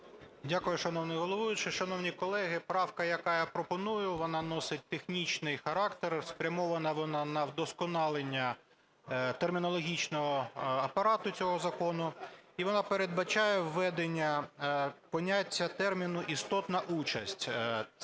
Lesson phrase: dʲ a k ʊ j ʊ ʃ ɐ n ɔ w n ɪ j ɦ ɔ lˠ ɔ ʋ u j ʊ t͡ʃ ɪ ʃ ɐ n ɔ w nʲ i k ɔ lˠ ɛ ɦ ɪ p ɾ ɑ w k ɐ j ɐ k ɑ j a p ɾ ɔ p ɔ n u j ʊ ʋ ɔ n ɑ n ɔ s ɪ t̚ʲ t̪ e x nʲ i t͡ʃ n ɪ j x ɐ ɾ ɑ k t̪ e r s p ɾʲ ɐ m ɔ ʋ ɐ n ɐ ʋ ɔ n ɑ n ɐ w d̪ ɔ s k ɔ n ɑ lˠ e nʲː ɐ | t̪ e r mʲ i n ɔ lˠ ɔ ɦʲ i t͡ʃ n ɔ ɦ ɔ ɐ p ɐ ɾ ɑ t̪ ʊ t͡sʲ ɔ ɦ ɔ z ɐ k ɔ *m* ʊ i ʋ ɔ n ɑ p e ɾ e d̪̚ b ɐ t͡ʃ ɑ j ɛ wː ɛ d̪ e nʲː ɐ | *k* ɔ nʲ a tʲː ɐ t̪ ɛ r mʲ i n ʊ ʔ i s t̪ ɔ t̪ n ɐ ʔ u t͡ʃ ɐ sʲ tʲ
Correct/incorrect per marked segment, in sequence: incorrect: n, incorrect: p

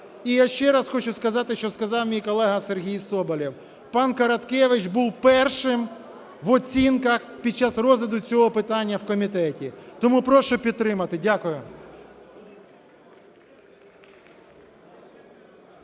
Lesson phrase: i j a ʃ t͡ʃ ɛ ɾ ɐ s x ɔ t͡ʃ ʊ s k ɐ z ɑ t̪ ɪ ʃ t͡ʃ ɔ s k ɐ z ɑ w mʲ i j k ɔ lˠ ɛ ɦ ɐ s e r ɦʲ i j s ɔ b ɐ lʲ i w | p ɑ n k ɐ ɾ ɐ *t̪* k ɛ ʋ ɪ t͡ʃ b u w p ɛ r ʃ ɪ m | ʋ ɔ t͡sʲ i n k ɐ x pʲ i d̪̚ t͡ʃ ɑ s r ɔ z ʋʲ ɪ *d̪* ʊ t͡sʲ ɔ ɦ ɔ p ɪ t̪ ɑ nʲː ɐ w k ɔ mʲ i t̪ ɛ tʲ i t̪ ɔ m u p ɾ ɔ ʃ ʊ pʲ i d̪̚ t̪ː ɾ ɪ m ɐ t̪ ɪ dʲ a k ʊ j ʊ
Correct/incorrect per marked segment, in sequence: correct, correct

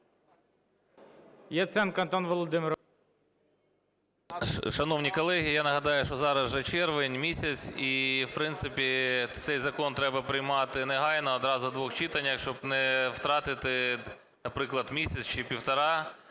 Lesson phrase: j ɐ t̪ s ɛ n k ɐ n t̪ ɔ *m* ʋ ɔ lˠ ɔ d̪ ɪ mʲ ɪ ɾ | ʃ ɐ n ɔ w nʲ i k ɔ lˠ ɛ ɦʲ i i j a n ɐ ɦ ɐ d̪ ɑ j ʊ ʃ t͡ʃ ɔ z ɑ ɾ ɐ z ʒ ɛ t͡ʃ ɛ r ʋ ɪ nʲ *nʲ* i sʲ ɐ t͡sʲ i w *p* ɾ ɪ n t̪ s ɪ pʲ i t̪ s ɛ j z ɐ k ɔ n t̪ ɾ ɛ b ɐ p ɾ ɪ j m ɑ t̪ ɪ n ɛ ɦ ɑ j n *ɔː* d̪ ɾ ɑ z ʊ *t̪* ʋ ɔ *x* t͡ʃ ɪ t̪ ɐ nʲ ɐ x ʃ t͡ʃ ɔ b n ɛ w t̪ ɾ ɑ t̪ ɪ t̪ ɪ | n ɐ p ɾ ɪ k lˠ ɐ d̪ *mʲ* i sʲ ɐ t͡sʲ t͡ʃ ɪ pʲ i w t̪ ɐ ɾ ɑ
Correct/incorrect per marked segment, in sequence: incorrect: n, incorrect: mʲ, correct, correct, incorrect: d̪, correct, correct

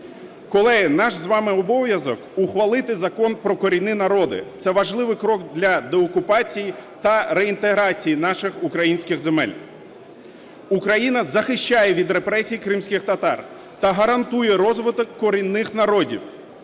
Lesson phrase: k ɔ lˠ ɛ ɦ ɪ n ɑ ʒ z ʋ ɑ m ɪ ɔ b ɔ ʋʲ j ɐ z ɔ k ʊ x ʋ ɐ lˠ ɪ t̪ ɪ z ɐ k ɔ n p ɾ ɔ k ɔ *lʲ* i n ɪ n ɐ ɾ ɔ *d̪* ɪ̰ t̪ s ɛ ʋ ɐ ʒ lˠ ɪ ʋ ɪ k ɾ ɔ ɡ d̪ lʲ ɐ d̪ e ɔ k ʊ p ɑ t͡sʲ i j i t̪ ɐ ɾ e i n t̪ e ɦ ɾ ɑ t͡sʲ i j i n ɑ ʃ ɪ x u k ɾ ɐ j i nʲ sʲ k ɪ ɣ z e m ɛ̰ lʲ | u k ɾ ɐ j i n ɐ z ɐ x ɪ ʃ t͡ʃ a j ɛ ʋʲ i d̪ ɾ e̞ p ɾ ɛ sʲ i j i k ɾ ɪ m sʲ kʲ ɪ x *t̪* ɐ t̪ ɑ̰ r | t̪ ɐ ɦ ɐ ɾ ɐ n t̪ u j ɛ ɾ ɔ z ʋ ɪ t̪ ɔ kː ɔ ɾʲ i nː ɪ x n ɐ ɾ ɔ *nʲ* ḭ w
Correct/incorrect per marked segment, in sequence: incorrect: ɾʲ, correct, correct, incorrect: dʲ

